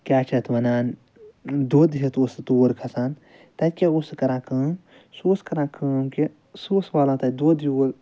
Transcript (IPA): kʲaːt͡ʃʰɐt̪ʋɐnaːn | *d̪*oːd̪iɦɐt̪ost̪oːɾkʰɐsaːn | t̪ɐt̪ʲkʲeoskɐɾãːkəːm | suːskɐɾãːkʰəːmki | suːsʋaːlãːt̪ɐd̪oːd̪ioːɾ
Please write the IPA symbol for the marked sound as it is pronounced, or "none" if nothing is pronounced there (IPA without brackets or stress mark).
d̪